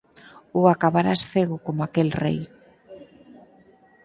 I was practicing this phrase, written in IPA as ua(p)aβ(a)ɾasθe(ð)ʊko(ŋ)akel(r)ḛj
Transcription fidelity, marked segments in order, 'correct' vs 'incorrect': incorrect: k, correct, incorrect: ɣ, incorrect: m, correct

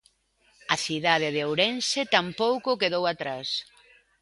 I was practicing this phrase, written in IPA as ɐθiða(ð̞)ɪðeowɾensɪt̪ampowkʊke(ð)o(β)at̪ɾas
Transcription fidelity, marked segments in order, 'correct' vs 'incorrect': correct, correct, incorrect: w

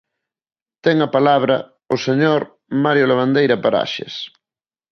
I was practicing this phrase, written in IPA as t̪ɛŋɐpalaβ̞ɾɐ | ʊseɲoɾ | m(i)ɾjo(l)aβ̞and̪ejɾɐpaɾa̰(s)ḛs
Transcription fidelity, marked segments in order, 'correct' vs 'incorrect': incorrect: a, correct, incorrect: ʃ

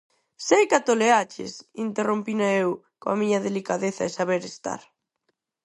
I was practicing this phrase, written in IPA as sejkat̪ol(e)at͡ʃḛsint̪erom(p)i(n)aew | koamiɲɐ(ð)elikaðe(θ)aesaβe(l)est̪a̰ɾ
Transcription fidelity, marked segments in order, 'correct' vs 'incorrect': correct, correct, correct, correct, correct, incorrect: ɾ

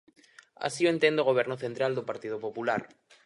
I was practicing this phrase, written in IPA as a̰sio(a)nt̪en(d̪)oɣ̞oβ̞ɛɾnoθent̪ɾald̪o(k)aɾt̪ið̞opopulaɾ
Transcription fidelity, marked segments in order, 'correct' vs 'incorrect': incorrect: e, correct, incorrect: p

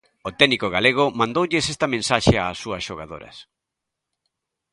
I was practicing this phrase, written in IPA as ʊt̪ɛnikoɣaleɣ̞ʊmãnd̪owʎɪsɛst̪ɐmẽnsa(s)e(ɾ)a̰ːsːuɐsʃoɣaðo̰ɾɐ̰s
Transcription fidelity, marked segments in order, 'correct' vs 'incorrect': incorrect: ʃ, incorrect: none

